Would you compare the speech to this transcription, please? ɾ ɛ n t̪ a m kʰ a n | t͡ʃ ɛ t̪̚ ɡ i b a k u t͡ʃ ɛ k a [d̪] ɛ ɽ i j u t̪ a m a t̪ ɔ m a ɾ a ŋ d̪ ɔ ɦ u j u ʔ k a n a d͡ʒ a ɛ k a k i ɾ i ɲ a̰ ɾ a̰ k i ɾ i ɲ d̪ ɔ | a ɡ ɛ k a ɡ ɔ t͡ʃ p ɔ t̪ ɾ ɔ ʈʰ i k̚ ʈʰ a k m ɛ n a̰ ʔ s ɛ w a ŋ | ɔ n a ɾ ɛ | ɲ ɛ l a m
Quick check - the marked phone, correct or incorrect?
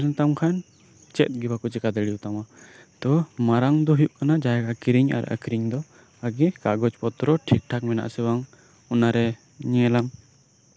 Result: correct